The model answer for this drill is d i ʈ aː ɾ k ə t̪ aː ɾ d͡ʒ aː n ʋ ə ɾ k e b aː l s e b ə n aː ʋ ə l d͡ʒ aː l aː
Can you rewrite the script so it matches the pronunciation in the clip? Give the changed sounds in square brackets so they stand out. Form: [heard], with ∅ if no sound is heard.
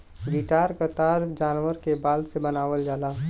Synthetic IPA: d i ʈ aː ɾ k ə t̪ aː ɾ d͡ʒ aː n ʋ ə ɾ k e b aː l s e b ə n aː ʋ ə l d͡ʒ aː l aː